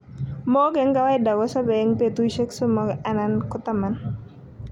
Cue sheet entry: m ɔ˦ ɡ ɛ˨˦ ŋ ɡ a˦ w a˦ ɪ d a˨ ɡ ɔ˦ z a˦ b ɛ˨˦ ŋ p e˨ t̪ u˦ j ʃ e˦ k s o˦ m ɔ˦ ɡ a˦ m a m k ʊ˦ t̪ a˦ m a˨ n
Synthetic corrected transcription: m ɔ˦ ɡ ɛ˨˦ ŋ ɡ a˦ w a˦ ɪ d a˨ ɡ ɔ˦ s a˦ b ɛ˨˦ ŋ p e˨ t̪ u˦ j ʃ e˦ k s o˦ m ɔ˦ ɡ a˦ n a n k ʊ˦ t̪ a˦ m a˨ n

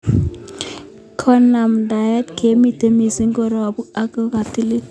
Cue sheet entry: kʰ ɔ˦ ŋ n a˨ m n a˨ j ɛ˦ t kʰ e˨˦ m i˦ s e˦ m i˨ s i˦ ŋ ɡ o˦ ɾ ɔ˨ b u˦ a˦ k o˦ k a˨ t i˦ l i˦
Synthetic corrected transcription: kʰ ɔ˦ n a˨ m d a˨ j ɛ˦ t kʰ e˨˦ m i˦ t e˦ m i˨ s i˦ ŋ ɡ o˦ ɾ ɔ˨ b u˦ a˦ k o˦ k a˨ t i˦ l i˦

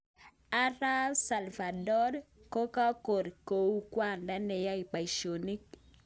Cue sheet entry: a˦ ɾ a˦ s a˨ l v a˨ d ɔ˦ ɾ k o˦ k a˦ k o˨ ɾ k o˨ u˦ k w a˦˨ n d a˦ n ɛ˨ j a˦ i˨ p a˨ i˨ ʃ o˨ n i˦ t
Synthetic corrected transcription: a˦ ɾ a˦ s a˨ l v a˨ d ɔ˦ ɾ k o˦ k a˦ k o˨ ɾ k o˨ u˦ k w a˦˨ n d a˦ n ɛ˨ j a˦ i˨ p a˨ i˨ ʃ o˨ n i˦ k

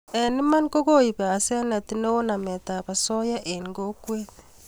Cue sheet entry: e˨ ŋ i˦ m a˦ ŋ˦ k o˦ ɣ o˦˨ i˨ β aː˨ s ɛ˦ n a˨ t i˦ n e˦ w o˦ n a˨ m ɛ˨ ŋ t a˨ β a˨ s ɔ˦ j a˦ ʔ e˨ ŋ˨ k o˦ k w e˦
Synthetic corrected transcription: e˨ n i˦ m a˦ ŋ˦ k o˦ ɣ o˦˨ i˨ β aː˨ s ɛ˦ n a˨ t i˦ n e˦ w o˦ n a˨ m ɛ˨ t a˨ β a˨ s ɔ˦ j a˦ ʔ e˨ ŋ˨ ɡ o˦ k w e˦

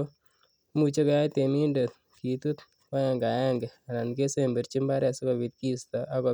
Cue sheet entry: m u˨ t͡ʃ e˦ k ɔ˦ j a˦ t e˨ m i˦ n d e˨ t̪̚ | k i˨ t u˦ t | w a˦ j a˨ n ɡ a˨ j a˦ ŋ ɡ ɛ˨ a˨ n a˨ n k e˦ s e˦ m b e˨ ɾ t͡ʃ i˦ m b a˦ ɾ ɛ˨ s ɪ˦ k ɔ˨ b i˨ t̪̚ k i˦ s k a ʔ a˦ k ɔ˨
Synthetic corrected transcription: m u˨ t͡ʃ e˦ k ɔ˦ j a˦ t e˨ m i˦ n d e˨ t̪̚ | k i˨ t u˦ t | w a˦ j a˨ ŋ ɡ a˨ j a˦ ŋ ɡ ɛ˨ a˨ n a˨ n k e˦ s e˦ m b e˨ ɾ t͡ʃ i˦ m b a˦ ɾ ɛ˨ s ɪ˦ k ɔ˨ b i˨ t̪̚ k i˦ s t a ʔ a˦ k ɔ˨

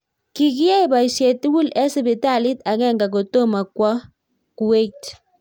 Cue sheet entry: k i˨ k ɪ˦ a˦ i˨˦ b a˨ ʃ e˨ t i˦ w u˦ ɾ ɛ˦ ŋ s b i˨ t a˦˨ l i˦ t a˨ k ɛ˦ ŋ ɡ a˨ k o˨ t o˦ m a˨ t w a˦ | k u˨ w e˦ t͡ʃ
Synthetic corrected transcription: k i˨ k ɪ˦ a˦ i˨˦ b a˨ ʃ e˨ t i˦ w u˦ l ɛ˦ s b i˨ t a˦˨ l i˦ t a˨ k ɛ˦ ŋ ɡ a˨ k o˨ t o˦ m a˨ k w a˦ | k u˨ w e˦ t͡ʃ

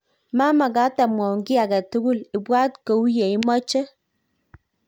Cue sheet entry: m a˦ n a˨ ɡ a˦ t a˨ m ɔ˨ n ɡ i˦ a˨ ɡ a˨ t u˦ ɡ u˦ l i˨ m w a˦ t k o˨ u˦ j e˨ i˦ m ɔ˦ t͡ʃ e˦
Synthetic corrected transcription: m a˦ m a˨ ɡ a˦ t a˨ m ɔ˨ ŋ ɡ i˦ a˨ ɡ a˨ t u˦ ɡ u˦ l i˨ b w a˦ t k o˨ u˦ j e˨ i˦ m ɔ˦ t͡ʃ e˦

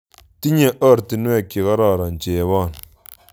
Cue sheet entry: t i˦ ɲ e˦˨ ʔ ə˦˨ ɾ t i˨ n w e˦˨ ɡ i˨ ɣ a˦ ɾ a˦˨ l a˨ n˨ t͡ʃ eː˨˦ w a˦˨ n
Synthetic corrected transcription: t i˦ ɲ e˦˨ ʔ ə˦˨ ɾ t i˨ n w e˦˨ k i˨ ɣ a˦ ɾ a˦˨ ɾ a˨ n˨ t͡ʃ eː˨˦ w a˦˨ n

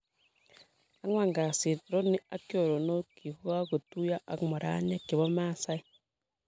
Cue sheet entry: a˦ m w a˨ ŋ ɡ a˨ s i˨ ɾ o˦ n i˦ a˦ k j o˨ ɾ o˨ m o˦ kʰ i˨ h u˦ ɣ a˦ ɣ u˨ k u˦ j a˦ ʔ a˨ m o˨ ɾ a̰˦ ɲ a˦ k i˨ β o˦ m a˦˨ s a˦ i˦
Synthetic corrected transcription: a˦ ŋ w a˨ ŋ ɡ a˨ s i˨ ɾ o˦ n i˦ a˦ k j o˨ ɾ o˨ n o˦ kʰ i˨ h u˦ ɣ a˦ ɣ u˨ t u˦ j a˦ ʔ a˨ m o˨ ɾ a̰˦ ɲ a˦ k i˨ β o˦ m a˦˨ s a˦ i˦

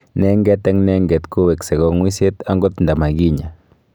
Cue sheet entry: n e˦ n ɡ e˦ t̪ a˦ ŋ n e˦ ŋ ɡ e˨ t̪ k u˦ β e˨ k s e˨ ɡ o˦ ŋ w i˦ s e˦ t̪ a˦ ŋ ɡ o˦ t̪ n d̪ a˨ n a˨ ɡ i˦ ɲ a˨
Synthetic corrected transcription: n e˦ ŋ ɡ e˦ t̪ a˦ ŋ n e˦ ŋ ɡ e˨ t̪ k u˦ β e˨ k s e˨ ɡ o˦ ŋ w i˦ s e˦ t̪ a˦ ŋ ɡ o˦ t̪ n d̪ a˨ m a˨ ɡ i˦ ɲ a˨

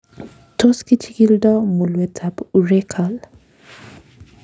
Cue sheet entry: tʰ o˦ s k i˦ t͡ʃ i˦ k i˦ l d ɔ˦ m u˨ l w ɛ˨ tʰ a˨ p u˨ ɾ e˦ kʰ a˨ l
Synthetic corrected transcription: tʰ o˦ s k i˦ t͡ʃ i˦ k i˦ l d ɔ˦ m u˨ l w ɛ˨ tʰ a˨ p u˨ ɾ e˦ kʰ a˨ l

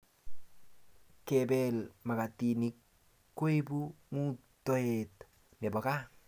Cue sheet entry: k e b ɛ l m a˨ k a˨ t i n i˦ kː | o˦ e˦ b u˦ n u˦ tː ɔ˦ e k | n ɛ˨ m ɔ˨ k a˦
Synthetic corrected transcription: k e b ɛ l m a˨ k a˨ t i n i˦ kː | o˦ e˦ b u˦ ŋ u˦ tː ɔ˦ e t | n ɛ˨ b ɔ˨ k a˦

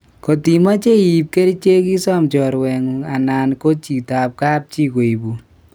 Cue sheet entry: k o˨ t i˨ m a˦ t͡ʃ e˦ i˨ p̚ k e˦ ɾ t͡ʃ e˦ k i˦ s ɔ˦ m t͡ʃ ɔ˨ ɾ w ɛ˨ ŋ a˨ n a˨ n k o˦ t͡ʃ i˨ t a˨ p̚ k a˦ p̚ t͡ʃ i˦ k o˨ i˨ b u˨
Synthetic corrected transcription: k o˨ t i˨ m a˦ t͡ʃ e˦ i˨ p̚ k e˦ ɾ t͡ʃ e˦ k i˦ s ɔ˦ m t͡ʃ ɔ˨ ɾ w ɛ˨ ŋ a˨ n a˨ n k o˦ t͡ʃ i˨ t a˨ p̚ k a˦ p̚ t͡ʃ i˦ k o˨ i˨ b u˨

